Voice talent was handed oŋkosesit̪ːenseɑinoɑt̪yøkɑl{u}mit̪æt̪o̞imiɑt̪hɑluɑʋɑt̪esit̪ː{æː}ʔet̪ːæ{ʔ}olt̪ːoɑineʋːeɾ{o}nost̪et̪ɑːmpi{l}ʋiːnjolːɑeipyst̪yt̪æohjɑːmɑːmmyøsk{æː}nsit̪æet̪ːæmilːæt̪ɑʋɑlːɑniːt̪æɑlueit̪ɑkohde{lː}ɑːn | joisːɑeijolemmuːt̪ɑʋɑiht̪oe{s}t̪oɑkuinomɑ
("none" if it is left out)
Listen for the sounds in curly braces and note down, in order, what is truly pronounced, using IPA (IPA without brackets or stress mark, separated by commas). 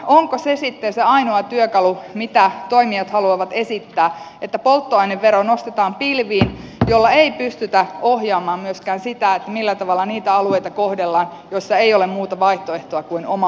u, æː, p, o, l, æː, lː, h